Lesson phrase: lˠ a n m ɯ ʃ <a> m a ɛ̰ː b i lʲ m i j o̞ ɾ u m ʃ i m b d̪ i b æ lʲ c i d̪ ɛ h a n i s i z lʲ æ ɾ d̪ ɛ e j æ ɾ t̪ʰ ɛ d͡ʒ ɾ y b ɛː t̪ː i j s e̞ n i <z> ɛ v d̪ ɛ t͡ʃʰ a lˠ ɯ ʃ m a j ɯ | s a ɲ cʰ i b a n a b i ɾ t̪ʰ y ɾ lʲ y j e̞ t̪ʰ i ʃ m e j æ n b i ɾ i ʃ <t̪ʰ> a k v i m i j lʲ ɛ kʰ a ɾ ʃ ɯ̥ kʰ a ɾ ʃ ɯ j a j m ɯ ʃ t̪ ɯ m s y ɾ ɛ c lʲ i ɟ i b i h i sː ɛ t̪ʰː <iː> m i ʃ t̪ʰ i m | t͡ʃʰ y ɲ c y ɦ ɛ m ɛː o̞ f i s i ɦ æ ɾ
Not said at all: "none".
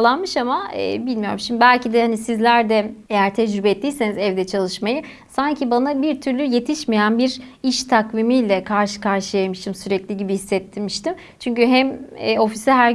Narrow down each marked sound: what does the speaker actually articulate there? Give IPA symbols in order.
a, z, t̪ʰ, i

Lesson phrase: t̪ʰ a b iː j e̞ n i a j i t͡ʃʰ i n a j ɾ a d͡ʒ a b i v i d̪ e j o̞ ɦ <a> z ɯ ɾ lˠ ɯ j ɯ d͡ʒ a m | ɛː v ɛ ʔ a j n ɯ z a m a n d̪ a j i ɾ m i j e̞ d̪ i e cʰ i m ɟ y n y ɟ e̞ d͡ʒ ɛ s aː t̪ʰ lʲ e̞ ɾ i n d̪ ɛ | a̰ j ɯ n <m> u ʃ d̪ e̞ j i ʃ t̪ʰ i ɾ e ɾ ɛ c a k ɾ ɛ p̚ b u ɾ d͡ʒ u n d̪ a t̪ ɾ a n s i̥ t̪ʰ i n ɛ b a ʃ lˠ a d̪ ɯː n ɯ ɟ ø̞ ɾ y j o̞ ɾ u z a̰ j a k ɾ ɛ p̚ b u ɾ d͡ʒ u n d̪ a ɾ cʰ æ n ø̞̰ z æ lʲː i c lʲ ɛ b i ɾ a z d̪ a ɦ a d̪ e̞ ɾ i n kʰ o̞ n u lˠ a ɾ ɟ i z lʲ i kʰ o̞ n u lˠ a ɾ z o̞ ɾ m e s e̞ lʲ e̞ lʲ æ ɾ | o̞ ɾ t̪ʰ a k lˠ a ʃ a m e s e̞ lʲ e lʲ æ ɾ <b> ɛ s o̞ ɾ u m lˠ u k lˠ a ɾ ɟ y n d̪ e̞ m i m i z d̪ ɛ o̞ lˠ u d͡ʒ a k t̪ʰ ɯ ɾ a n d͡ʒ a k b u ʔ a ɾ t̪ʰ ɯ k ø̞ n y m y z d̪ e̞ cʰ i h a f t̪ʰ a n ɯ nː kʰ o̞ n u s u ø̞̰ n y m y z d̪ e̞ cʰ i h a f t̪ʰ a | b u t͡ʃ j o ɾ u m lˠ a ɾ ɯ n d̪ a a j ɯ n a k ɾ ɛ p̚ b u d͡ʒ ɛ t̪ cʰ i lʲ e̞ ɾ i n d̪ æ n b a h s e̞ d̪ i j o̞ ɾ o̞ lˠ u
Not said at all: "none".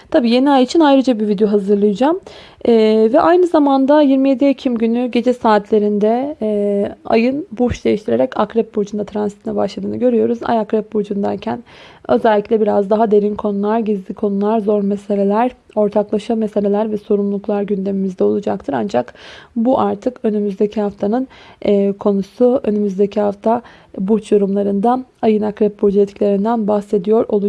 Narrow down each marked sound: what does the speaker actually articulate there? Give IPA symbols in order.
a, b, v

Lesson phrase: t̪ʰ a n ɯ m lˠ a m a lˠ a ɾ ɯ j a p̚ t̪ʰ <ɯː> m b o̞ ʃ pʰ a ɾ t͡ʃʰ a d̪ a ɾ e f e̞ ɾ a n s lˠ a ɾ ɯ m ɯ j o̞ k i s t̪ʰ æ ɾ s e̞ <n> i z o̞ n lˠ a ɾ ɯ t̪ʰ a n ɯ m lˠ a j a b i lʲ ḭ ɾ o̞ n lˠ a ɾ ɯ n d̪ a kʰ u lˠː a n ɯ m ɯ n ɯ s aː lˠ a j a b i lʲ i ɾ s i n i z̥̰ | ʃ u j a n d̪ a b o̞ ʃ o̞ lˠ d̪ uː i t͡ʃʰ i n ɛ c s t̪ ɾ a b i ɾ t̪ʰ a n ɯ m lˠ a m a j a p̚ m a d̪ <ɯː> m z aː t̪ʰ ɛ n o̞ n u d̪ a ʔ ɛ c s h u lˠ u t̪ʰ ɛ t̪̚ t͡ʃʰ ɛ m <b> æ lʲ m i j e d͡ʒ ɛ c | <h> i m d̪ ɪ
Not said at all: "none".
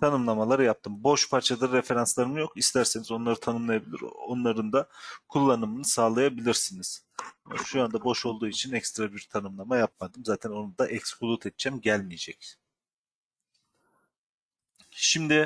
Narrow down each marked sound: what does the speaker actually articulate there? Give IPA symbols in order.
ɯ, n, ɯ, ɟ, ʃ

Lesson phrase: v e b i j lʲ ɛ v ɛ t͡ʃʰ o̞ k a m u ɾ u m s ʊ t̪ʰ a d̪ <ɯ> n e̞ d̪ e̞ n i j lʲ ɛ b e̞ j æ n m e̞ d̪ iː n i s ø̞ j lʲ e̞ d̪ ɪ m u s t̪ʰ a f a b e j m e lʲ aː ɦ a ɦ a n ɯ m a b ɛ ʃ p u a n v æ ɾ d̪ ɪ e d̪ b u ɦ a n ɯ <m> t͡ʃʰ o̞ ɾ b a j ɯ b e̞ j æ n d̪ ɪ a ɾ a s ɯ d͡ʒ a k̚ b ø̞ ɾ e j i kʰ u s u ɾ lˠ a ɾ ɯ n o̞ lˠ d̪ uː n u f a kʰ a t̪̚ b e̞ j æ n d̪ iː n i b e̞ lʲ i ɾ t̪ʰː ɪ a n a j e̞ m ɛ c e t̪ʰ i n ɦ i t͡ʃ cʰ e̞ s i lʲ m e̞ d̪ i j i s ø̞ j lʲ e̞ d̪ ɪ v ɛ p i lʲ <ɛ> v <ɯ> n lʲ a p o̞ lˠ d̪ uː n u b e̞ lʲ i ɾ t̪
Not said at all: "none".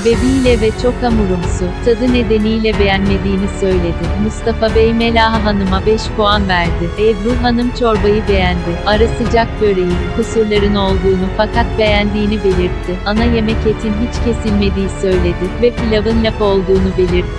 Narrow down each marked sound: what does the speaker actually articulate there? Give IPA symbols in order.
ɯ, m, a, ɯ

